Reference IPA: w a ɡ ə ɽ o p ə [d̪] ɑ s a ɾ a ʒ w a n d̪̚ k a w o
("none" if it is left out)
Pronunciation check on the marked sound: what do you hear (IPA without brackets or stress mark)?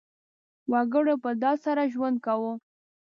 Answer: d̪